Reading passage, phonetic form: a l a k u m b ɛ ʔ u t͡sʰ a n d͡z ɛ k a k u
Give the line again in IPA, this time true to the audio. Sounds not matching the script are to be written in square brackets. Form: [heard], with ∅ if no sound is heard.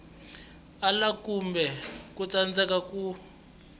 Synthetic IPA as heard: a l a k u m b ɛ [k] u [t͡s] a n d͡z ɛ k a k u